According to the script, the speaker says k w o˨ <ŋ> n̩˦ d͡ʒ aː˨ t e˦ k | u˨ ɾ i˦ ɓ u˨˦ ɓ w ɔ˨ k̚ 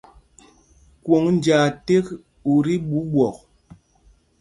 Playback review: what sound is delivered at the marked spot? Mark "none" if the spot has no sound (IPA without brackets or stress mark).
ŋ